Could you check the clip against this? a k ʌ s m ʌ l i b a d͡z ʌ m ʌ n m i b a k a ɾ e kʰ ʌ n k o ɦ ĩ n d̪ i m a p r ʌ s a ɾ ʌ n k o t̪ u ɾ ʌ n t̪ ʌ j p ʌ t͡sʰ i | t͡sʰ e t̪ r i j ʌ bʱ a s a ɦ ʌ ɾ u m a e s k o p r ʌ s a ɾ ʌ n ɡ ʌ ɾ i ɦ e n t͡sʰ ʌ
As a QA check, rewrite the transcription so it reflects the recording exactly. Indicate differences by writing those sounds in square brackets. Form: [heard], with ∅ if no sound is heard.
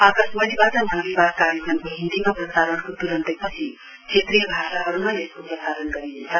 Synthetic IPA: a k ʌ s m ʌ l i b a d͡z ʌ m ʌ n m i b a k a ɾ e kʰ ʌ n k o ɦ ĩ n d̪ i m a p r ʌ s a ɾ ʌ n k o t̪ u ɾ ʌ n t̪ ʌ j p ʌ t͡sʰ i | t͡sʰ e t̪ r i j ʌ bʱ a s a ɦ ʌ ɾ u m a e s k o p r ʌ s a ɾ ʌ n ɡ ʌ ɾ i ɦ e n t͡sʰ ʌ